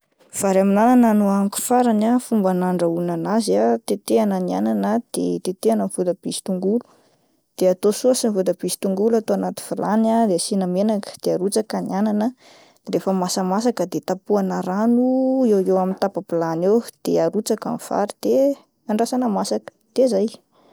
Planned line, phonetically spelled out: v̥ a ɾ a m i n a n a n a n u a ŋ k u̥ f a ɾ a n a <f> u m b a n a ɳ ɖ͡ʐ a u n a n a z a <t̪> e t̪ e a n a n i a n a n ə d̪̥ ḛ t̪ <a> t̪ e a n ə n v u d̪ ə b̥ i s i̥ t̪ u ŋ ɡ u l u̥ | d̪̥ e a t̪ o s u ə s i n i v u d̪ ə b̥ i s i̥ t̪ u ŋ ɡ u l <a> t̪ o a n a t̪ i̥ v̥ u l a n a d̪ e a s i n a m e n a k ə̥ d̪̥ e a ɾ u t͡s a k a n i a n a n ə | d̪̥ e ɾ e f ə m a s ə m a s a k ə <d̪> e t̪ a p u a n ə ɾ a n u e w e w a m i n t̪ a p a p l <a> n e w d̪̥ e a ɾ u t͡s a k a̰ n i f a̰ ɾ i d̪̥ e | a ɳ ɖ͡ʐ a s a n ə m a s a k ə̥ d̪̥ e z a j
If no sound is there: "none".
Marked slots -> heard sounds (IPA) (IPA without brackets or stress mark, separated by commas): f, t̪, e, a, d̪, a